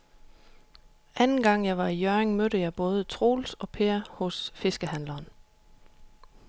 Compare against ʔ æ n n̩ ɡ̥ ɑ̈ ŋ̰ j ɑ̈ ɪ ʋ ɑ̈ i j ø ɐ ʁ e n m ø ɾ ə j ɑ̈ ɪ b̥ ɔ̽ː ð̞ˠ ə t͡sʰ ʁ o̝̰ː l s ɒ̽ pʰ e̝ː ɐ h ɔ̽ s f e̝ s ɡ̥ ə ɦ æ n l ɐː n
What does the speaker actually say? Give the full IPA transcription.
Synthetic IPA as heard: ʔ æ n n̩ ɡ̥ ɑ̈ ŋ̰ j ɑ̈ ɪ ʋ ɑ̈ i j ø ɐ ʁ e ŋ m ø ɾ ə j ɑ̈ ɪ b̥ ɔ̽ː ð̞ˠ ə t͡sʰ ʁ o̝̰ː l s ɒ̽ pʰ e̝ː ɐ h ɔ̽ s f e̝ s ɡ̥ ə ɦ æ n l ɐː n